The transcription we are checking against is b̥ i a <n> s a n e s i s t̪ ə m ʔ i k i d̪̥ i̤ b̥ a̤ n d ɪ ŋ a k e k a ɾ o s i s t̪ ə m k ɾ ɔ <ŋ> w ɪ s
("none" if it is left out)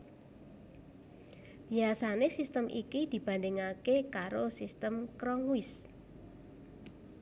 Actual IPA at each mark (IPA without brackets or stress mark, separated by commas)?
none, ŋ